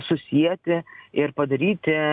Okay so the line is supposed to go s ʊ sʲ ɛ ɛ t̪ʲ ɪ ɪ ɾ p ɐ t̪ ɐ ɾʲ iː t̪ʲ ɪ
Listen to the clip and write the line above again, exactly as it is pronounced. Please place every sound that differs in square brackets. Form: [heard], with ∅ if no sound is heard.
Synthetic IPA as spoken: s ʊ sʲ [i] ɛ t̪ʲ ɪ ɪ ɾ p ɐ [d̪] ɐ ɾʲ iː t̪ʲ ɪ